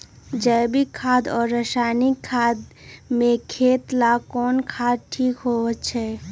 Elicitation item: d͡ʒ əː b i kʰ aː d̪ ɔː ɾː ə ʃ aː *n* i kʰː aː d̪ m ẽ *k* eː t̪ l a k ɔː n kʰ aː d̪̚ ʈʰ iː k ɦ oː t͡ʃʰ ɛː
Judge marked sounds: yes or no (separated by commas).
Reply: yes, no